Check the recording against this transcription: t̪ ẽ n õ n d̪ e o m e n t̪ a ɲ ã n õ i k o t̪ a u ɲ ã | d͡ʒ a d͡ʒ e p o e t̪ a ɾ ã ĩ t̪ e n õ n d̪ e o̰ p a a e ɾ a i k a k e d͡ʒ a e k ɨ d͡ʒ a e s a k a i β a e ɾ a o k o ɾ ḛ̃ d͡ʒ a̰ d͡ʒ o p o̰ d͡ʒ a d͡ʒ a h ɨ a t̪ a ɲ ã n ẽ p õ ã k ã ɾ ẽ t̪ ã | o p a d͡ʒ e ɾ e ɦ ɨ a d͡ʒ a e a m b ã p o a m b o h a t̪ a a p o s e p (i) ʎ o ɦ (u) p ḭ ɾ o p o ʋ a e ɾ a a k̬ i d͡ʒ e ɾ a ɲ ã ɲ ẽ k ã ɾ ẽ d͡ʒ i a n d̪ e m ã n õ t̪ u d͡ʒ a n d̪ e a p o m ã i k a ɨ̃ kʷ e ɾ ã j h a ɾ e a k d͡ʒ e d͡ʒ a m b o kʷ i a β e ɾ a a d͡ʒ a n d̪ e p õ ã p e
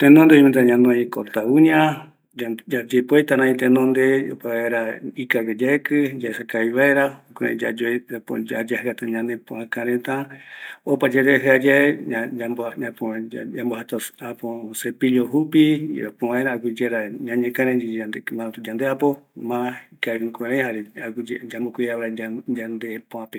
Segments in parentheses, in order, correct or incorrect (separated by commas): correct, correct